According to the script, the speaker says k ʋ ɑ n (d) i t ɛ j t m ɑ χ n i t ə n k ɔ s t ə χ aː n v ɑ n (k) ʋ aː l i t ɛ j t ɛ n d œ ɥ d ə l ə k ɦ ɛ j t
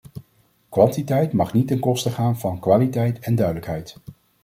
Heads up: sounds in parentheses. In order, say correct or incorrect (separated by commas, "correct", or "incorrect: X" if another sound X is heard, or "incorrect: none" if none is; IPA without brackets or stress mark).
incorrect: t, correct